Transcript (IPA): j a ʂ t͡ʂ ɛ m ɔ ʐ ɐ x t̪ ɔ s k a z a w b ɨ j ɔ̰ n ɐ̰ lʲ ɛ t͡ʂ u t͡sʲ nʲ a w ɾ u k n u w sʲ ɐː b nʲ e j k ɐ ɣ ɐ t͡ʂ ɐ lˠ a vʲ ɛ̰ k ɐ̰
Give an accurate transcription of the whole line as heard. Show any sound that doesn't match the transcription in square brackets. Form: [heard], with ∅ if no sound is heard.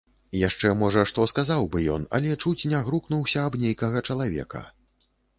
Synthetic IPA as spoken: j a ʂ t͡ʂ ɛ m ɔ ʐ ɐ [ʂ] t̪ ɔ s k a z a w b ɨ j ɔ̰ n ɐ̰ lʲ ɛ t͡ʂ u t͡sʲ nʲ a [ɣ] ɾ u k n u w sʲ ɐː b nʲ e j k ɐ ɣ ɐ t͡ʂ ɐ lˠ a vʲ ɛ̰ k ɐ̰